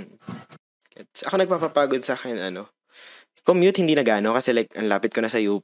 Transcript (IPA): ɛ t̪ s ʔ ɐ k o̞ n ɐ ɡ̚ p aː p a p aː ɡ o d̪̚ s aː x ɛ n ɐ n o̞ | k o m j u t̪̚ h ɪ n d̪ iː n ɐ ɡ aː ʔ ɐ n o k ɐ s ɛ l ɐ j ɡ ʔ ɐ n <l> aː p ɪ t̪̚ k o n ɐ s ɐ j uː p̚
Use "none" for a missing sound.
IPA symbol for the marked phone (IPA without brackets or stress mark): l